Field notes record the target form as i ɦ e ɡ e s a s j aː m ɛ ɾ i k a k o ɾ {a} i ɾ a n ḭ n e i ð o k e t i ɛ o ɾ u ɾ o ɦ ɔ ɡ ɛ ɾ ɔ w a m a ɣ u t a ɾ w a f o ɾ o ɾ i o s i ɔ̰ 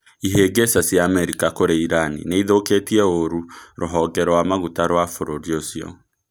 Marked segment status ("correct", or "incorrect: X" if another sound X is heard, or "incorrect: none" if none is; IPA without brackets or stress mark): incorrect: e